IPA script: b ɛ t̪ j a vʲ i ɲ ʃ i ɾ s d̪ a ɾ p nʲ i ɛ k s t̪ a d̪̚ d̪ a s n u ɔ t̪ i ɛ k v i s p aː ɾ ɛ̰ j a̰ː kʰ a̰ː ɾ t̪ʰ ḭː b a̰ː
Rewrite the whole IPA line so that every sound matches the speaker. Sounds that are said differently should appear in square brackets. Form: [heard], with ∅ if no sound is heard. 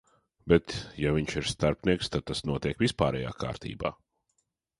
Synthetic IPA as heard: b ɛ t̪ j a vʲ i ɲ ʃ i ɾ s [t̪] a ɾ p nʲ i ɛ k s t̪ a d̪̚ [t̪] a s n u ɔ t̪ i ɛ k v i s p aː ɾ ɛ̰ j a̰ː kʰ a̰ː ɾ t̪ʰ ḭː b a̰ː